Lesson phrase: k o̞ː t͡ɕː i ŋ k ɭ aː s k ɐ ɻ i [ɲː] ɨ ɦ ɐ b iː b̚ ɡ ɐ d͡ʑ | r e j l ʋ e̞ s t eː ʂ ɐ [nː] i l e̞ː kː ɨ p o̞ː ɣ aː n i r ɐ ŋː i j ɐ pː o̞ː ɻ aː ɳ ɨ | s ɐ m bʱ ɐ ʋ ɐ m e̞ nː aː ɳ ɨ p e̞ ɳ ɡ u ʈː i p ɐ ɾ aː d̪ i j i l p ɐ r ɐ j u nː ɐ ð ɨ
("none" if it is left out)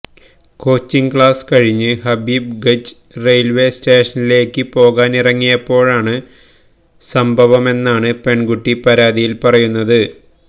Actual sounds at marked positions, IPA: ɲː, n

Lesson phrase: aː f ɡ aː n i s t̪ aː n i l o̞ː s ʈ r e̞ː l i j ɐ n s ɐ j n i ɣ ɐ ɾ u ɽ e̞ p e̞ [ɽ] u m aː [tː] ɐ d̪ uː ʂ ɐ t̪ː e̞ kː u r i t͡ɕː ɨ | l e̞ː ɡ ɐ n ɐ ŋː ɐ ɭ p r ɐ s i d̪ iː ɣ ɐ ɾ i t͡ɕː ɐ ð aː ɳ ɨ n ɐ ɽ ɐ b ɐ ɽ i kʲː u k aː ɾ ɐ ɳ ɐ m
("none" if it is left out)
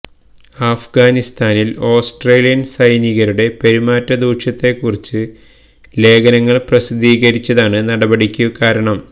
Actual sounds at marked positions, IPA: ɾ, tː

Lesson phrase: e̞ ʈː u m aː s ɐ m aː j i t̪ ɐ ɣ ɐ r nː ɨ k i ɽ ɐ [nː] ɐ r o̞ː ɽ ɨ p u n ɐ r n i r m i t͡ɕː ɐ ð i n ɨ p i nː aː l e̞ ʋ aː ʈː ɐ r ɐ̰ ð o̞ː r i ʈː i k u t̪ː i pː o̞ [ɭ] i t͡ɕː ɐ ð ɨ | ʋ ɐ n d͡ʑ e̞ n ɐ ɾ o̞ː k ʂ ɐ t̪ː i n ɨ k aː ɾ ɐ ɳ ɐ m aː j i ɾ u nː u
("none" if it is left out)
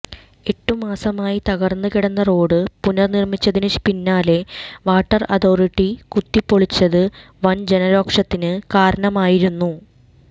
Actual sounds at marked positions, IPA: nː, ɭ

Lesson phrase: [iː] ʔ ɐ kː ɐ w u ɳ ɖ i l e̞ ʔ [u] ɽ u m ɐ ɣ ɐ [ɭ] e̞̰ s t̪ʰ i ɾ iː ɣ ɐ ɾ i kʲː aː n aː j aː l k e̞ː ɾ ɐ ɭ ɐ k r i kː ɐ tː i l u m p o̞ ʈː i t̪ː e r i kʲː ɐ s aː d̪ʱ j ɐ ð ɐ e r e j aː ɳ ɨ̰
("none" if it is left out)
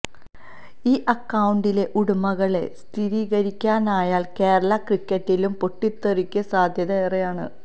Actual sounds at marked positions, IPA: iː, u, ɭ

